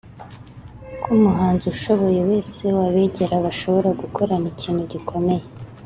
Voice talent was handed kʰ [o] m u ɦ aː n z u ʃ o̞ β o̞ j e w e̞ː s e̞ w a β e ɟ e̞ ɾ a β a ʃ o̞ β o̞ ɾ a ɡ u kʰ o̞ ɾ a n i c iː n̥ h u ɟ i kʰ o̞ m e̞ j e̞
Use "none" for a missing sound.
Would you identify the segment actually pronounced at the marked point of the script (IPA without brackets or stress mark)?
u